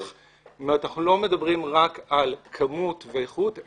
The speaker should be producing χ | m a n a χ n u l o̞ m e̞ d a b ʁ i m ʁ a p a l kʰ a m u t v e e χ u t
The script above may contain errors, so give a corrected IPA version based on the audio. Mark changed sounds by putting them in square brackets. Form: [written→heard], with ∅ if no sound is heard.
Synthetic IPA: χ | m a n a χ n u l o̞ m e̞ d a b ʁ i m ʁ a [p→k] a l kʰ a m u t v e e χ u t